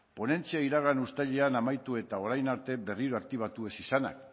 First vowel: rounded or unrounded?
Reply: rounded